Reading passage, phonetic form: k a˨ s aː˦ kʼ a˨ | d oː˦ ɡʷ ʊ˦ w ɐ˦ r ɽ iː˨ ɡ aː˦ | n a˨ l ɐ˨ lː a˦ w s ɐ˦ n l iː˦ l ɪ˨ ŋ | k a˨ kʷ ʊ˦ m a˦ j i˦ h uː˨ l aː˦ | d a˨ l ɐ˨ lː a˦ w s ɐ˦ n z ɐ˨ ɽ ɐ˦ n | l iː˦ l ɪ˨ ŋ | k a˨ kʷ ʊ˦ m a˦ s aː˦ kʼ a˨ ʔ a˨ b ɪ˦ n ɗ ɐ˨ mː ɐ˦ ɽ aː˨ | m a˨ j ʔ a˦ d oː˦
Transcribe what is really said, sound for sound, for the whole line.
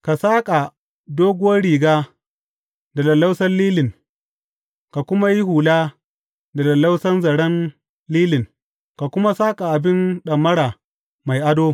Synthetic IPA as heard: k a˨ s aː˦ kʼ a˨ | d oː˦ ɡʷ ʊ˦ w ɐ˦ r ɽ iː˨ ɡ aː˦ | d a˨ l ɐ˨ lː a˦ w s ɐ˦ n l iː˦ l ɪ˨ ŋ | k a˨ kʷ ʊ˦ m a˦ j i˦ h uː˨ l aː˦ | d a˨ l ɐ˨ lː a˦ w s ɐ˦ n z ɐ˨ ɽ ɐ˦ n | l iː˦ l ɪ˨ ŋ | k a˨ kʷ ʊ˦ m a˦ s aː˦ kʼ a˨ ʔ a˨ b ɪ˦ n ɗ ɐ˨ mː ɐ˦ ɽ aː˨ | m a˨ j ʔ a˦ d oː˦